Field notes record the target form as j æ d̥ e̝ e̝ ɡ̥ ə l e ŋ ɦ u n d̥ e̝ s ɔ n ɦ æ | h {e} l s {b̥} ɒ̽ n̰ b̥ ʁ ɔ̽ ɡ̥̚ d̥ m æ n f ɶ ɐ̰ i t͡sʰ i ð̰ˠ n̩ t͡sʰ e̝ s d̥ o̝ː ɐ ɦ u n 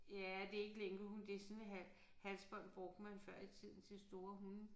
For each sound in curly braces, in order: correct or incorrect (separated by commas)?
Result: incorrect, correct